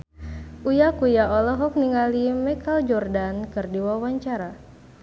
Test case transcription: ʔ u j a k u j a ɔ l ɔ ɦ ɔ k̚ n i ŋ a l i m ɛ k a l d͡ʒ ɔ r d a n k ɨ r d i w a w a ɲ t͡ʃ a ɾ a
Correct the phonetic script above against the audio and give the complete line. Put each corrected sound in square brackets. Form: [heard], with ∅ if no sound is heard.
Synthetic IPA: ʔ u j a k u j a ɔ l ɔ ɦ ɔ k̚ n i ŋ a l i m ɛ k a l d͡ʒ ɔ r d a n k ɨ r d i w a w a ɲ t͡ʃ a ɾ a